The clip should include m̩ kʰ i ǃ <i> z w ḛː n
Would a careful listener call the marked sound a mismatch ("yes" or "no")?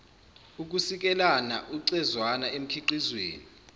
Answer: no